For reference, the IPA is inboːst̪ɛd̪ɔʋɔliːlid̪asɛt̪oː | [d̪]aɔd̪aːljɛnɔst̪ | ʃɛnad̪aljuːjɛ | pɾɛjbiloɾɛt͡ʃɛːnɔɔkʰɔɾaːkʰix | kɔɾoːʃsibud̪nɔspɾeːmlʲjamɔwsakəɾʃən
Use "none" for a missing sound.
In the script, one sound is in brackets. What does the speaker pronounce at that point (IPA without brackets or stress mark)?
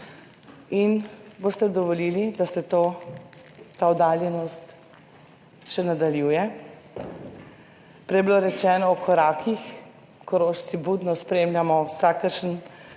t̪